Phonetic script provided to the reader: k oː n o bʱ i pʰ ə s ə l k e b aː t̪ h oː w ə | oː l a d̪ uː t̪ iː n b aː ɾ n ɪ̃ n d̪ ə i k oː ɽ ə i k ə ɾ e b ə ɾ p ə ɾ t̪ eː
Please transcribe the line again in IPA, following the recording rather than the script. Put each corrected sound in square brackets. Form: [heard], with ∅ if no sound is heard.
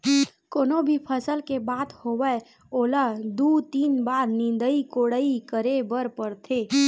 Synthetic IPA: k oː n o bʱ i pʰ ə s ə l k e b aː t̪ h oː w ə | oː l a d̪ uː t̪ iː n b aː ɾ n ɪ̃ n d̪ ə i k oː ɽ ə i k ə ɾ e b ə ɾ p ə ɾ [t̪ʰ] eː